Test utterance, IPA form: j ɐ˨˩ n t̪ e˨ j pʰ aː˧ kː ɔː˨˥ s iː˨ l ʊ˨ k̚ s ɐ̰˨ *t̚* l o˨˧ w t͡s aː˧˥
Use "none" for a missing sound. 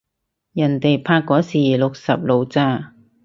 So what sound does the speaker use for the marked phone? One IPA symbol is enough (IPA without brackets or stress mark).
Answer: p̚